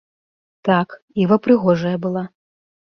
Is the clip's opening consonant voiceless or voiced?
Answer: voiceless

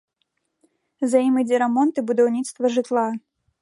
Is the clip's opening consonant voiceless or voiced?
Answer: voiced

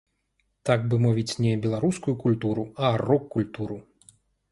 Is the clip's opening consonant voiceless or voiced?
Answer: voiceless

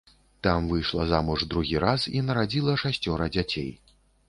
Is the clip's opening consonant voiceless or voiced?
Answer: voiceless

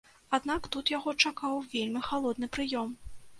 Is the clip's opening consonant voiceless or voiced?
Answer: voiced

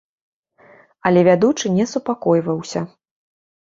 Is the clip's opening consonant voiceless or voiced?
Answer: voiced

